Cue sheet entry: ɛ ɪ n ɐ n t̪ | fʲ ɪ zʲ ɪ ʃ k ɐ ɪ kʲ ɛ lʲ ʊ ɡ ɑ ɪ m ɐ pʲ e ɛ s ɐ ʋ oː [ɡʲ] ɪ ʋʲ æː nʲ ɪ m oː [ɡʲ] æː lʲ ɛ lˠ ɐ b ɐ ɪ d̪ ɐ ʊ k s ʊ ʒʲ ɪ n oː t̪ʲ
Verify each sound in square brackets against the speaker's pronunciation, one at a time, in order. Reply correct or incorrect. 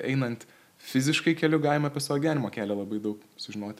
correct, incorrect

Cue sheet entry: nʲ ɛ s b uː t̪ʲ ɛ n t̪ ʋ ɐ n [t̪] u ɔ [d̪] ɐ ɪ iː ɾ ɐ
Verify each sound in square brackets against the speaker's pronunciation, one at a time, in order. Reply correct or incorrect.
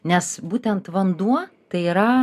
incorrect, incorrect

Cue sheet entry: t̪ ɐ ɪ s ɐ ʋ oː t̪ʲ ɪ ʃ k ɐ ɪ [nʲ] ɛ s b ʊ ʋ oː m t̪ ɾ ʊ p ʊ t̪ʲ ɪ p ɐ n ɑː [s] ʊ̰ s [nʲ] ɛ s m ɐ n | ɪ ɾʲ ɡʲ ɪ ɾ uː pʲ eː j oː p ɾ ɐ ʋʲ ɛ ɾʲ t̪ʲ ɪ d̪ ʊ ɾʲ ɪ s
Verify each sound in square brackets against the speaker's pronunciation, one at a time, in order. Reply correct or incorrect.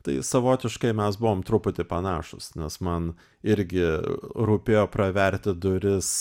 incorrect, incorrect, correct

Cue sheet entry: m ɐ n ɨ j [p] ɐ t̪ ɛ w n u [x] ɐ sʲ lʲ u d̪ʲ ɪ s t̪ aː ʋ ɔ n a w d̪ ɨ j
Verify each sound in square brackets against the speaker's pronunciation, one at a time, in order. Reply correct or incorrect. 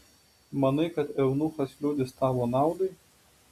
incorrect, correct

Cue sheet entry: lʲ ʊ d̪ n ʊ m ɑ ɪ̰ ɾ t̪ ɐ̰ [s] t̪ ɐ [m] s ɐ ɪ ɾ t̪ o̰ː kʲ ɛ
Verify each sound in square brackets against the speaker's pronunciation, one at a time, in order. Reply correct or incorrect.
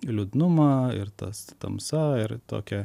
correct, correct

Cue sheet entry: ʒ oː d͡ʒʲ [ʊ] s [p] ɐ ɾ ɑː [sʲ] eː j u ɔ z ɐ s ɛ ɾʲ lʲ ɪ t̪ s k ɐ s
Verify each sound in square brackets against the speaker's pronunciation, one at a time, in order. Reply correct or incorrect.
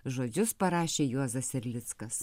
correct, correct, incorrect

